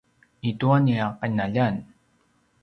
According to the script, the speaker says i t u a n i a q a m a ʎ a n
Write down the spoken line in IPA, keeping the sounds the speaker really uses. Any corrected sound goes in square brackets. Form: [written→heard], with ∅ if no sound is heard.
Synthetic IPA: i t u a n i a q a [m→n] a ʎ a n